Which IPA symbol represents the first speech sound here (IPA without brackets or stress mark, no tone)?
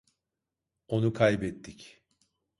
o̞